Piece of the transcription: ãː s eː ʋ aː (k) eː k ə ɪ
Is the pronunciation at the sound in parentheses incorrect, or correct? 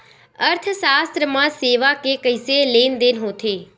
correct